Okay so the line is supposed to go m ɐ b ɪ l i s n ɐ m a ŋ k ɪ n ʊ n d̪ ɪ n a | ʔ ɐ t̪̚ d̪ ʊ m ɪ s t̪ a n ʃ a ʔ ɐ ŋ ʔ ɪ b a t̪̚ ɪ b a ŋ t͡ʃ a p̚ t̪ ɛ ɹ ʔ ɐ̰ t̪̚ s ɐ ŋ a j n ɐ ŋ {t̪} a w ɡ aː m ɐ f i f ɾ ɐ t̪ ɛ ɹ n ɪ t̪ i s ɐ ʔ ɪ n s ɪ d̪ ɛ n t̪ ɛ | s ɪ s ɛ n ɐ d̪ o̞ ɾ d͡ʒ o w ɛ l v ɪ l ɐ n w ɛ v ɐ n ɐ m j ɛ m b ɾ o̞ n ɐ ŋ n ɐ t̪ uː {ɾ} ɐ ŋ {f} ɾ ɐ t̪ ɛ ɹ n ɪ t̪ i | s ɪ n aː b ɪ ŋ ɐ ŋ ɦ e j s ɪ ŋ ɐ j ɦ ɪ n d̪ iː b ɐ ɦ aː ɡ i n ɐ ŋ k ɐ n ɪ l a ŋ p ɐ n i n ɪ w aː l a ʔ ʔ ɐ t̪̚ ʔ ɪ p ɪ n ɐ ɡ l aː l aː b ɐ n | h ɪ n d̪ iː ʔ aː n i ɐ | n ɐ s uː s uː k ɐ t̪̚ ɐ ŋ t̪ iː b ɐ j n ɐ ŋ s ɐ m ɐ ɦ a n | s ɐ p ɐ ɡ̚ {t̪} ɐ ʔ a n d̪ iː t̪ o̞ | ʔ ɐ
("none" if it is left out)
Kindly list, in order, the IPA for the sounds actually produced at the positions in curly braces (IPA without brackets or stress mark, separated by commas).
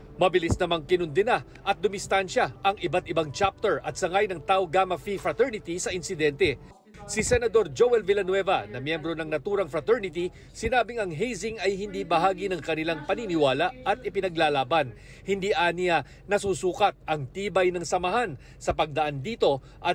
t̪, ɾ, f, d̪